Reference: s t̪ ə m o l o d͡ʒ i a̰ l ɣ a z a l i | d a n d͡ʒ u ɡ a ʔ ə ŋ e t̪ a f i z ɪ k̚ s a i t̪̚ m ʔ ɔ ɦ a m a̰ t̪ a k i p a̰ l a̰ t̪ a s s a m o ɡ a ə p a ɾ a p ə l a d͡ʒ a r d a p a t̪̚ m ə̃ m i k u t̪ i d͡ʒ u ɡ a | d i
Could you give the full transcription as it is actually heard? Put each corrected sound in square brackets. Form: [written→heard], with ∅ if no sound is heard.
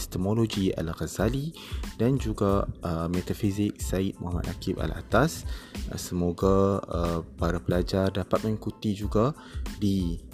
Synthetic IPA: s t̪ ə m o l o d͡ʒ i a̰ l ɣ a z a l i | d a n d͡ʒ u ɡ a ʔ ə [ŋ→m] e t̪ a f i z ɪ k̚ s a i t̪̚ m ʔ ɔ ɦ a m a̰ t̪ a k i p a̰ l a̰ t̪ a s s [a→ə] m o ɡ a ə p a ɾ a p ə l a d͡ʒ a r d a p a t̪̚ m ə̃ [m→ŋ] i k u t̪ i d͡ʒ u ɡ a | d i